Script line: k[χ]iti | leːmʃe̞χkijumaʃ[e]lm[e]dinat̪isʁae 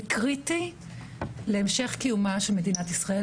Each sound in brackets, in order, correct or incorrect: incorrect, correct, correct

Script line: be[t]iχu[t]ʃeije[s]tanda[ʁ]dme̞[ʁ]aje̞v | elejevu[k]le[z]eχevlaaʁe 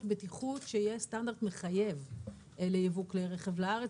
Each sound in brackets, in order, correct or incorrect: correct, correct, correct, correct, incorrect, correct, incorrect

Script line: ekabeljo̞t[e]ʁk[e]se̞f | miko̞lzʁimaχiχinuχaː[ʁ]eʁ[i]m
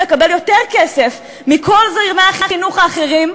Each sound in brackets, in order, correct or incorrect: correct, correct, incorrect, correct

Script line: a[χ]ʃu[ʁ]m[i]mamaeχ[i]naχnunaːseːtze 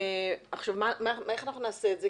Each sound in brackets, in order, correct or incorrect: correct, incorrect, incorrect, incorrect

